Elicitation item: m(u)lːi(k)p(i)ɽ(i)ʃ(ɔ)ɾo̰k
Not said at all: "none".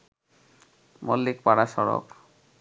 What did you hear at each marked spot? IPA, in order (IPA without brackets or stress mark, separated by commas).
o, k, a, a, ɔ